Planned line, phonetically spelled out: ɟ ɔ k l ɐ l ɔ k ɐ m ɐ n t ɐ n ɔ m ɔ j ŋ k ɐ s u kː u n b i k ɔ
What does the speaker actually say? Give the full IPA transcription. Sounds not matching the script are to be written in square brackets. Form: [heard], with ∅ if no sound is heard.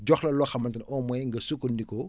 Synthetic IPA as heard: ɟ ɔ [x] l ɐ l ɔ [x] ɐ m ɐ n t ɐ n ɔ m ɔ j ŋ [ɡ] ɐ s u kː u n [d] i k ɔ